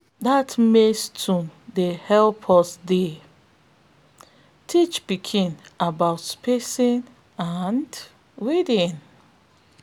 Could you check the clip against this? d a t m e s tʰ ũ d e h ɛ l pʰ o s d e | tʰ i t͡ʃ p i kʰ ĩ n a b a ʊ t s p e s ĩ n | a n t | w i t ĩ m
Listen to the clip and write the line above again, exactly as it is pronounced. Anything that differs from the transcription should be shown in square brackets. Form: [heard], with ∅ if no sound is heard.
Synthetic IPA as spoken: d a t m e s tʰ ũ d e h ɛ l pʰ [ɔ] s d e | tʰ i t͡ʃ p i kʰ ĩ n a b a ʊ t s p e s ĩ n | a n [d] | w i [d] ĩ [n]